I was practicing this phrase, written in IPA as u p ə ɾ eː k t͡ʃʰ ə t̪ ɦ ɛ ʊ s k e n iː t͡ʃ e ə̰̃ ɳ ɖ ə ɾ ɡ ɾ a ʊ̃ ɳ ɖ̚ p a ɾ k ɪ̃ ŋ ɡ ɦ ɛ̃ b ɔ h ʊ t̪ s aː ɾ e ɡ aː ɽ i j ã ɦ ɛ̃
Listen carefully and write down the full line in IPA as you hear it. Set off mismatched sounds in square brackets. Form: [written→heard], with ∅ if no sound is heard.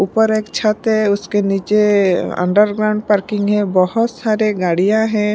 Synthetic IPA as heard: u p ə ɾ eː k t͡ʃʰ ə t̪ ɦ ɛ ʊ s k e n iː t͡ʃ e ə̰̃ ɳ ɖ ə ɾ ɡ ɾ a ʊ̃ ɳ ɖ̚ p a ɾ k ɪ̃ ŋ ɡ ɦ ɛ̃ b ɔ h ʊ t̪ s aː ɾ e ɡ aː ɽ i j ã ɦ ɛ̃